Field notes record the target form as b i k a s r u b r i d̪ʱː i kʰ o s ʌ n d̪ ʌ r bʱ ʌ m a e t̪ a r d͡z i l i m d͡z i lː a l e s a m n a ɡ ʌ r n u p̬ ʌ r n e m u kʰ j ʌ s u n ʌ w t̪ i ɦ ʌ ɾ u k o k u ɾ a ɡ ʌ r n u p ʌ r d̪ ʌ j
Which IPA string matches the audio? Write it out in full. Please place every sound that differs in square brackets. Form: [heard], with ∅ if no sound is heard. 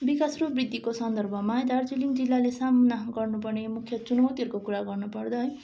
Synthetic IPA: b i k a s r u b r i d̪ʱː i [k] o s ʌ n d̪ ʌ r bʱ ʌ m a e [d̪] a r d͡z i l i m d͡z i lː a l e s a m n a ɡ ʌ r n u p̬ ʌ r n e m u kʰ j ʌ [t͡s] u n ʌ w t̪ i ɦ ʌ ɾ u k o k u ɾ a ɡ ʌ r n u p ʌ r d̪ ʌ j